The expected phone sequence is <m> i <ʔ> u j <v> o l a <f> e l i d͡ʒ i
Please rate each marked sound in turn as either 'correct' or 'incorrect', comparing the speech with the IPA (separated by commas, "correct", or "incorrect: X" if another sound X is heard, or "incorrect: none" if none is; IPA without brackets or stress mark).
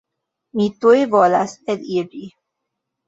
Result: correct, incorrect: t, correct, incorrect: s